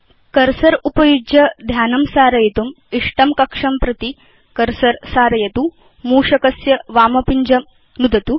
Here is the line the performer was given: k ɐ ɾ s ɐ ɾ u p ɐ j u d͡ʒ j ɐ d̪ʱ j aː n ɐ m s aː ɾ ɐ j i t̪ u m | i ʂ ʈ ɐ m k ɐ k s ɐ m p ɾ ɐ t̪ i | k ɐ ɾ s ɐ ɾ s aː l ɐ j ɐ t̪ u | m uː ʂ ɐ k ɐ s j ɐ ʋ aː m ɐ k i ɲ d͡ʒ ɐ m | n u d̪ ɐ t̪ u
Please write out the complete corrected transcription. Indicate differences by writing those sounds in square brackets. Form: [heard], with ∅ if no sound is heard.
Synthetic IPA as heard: k ɐ ɾ s ɐ ɾ u p ɐ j u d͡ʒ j ɐ d̪ʱ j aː n ɐ m s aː ɾ ɐ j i t̪ u m | i ʂ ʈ ɐ m k ɐ k [ʂ] ɐ m p ɾ ɐ t̪ i | k ɐ ɾ s ɐ ɾ s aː [ɾ] ɐ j ɐ t̪ u | m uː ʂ ɐ k ɐ s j ɐ ʋ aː m ɐ [p] i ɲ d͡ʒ ɐ m | n u d̪ ɐ t̪ u